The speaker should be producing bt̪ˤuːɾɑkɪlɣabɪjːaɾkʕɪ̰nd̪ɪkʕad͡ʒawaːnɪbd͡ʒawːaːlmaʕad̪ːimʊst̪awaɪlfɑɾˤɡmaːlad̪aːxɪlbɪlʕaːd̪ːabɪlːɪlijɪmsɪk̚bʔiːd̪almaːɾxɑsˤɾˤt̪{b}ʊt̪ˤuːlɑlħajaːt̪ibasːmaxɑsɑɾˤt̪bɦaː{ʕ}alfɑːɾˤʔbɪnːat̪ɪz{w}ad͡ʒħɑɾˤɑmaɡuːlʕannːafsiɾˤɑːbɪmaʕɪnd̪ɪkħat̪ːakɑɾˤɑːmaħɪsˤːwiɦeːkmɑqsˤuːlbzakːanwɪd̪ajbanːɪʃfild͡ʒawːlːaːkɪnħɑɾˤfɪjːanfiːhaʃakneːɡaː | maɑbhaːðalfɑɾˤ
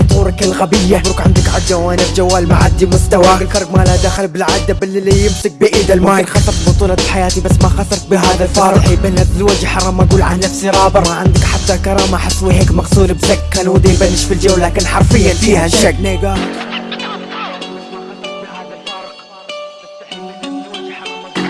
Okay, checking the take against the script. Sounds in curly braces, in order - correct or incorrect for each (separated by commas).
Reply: correct, incorrect, correct